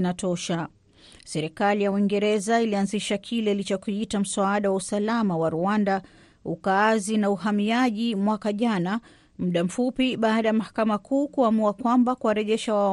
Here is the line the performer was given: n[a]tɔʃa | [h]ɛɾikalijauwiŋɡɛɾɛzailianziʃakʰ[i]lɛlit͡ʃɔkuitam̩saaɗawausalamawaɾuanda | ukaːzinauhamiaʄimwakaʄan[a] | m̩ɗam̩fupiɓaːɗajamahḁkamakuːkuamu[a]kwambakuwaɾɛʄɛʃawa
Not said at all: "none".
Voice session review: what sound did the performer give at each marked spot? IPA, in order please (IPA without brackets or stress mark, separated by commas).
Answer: a, s, i, a, a